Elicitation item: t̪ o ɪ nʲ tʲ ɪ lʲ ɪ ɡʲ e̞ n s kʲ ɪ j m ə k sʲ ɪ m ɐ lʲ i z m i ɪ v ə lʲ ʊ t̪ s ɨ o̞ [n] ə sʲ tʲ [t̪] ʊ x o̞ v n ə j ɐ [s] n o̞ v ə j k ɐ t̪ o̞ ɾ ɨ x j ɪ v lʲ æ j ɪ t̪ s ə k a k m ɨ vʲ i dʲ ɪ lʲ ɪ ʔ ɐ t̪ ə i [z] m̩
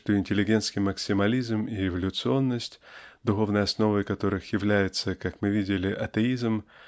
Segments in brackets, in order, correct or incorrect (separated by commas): incorrect, incorrect, correct, correct